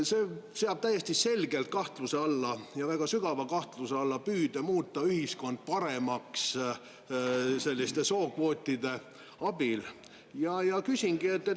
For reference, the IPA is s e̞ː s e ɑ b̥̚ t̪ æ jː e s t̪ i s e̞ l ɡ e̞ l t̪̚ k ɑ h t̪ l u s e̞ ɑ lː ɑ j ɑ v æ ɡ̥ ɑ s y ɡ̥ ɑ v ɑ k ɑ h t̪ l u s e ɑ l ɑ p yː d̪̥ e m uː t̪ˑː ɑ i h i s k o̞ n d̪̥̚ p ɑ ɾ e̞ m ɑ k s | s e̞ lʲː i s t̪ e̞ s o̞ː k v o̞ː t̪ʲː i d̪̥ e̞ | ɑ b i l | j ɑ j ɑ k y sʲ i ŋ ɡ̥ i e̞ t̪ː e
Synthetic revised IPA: s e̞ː s e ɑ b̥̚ t̪ æ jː e s t̪ i s e̞ l ɡ e̞ l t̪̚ k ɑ h t̪ l u s e̞ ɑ lː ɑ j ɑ v æ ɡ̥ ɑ s y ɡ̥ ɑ v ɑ k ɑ h t̪ l u s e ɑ lː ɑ p yː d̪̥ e m uː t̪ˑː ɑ y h i s k o̞ n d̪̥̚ p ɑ ɾ e̞ m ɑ k s | s e̞ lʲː i s t̪ e̞ s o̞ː k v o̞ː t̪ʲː i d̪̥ e̞ | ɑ b i l | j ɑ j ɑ k y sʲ i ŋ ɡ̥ i e̞ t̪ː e